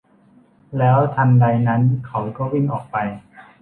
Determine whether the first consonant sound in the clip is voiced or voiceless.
voiced